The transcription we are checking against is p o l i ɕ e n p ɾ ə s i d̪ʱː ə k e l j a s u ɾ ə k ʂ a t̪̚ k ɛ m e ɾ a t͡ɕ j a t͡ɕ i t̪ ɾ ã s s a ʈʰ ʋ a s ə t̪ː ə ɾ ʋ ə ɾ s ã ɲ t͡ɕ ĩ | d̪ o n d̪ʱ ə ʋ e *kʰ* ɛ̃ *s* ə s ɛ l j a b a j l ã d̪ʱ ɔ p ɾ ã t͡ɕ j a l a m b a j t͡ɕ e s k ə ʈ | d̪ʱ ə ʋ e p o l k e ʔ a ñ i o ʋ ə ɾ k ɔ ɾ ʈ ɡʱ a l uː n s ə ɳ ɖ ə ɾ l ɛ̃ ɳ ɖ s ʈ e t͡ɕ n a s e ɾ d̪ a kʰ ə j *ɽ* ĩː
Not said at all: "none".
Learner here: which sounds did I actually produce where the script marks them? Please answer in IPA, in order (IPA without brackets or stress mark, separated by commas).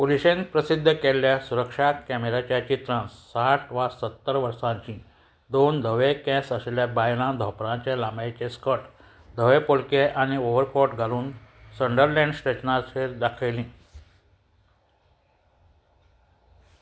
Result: k, s, l